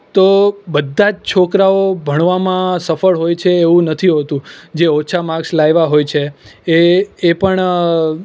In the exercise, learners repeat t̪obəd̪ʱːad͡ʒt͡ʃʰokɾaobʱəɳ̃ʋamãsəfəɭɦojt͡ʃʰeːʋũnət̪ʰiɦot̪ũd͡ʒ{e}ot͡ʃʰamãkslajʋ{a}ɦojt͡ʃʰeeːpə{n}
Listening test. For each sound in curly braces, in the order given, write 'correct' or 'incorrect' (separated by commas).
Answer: correct, correct, incorrect